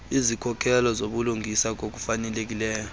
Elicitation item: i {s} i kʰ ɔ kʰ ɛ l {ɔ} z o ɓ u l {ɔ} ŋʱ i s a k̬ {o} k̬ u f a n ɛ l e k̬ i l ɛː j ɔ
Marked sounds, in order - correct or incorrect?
incorrect: z, correct, incorrect: u, correct

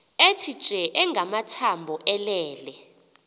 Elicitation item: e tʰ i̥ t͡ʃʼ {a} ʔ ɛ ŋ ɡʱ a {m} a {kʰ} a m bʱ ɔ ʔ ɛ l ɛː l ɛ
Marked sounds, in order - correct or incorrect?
incorrect: ɛ, correct, incorrect: tʰ

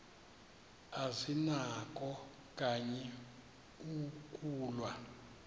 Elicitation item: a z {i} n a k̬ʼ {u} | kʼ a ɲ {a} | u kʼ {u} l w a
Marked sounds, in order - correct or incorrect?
correct, incorrect: ɔ, incorrect: ɛ, incorrect: uː

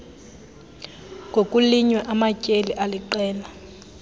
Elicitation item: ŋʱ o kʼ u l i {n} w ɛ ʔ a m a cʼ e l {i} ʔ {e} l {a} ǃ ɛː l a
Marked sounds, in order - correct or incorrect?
incorrect: ɲ, correct, incorrect: a, incorrect: i

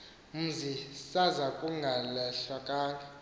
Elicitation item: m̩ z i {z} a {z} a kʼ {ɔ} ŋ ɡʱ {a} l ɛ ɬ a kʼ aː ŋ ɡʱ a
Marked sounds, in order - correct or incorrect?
incorrect: s, correct, incorrect: u, correct

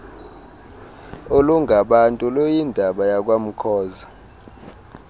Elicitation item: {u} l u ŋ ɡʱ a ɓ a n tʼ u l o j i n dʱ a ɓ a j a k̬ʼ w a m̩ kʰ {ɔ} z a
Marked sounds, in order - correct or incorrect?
incorrect: o, incorrect: ɔː

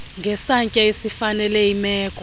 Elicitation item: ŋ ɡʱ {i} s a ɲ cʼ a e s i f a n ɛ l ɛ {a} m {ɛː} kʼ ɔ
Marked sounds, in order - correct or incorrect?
incorrect: ɛ, incorrect: i, correct

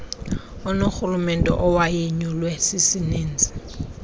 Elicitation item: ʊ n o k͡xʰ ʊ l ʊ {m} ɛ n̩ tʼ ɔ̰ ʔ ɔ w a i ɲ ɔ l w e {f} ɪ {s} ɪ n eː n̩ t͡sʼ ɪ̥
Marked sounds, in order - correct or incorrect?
correct, incorrect: s, correct

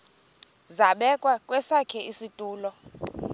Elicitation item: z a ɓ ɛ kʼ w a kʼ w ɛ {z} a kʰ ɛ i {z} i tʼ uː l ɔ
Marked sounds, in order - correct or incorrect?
incorrect: s, incorrect: s

